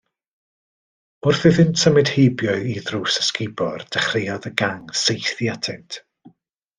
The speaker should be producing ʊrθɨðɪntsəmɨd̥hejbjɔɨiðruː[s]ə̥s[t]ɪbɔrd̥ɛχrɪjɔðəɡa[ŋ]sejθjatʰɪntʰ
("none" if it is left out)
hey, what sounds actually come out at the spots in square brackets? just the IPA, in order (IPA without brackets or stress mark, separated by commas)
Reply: s, k, ŋ